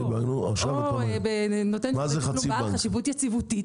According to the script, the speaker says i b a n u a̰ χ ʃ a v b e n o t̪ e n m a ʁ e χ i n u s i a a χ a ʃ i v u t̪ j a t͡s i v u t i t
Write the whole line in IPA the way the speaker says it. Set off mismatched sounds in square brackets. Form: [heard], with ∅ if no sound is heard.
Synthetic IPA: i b a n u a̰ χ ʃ a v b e n o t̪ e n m a [z] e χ [a] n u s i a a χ a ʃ i v u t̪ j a t͡s i v u t i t